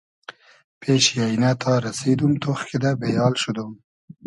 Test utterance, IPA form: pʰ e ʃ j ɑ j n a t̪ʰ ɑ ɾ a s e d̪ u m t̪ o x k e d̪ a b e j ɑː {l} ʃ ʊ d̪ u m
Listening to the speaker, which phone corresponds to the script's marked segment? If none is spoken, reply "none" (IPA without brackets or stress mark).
l